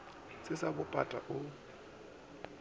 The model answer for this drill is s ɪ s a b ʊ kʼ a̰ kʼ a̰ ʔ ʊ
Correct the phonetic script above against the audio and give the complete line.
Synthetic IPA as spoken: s ɪ s a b ʊ pʼ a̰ tʼ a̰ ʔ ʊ

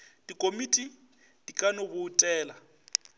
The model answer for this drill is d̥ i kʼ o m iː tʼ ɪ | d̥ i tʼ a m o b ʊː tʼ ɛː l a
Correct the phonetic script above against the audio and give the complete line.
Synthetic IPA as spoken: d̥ i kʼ o m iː tʼ i | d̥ i kʼ a n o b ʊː tʼ ɛː l a

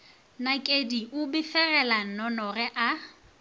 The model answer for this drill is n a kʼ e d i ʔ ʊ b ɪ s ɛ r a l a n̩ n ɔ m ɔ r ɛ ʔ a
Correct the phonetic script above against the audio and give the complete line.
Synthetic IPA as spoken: n a kʼ e d i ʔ ʊ b ɪ f ɛ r ɛ l a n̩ n ɔ n ɔ r ɛ ʔ a

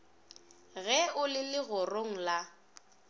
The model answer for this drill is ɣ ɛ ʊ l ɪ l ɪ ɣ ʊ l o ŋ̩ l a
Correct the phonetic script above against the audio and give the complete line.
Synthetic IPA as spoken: ɣ ɛ ʊ l ɪ l ɪ ɣ ʊ r o ŋ̩ l a

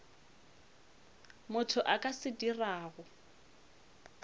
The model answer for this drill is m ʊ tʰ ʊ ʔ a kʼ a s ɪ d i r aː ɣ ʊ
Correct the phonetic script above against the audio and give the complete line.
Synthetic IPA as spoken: m ʊ tʰ ʊ ʔ a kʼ a s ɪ d i r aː ɣ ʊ

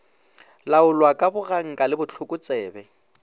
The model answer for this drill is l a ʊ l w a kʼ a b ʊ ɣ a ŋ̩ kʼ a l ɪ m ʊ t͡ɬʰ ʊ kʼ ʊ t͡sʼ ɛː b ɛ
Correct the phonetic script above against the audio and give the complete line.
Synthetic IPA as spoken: l a ʊ l w a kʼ a b ʊ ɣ a ŋ̩ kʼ a l ɪ b ʊ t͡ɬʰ ʊ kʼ ʊ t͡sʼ ɛː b ɛ

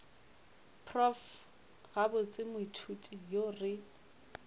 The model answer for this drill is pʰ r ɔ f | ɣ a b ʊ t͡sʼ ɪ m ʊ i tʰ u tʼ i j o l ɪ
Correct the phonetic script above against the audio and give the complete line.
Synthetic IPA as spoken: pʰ r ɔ f | ɣ a b ʊ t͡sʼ ɪ m ʊ i tʰ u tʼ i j o r ɪ

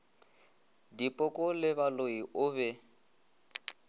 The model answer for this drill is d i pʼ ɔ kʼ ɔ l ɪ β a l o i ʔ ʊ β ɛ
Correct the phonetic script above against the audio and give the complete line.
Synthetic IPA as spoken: d i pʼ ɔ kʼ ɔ l ɪ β a l o i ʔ ʊ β ɛ

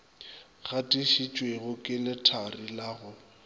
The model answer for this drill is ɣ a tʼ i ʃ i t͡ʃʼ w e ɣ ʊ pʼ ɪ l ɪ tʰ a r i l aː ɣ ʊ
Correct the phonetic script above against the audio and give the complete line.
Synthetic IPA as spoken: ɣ a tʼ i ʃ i t͡ʃʼ w e ɣ ʊ kʼ ɪ l ɪ tʰ a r i l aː ɣ ʊ

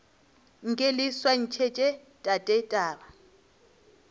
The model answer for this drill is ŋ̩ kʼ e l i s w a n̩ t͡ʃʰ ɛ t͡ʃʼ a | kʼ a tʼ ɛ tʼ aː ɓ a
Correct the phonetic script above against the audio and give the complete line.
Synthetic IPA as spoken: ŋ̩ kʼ e l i s w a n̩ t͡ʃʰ ɛ t͡ʃʼ ɛ | tʼ a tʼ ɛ tʼ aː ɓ a

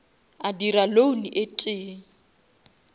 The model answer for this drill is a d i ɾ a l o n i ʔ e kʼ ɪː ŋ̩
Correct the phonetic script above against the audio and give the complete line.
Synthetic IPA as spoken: a d i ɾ a l o n i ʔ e tʼ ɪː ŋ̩

